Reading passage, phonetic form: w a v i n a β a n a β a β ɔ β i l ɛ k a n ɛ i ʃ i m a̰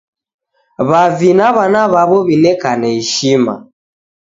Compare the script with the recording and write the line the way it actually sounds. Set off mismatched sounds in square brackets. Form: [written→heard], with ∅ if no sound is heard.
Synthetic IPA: [w→β] a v i n a β a n a β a β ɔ β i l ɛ k a n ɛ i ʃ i m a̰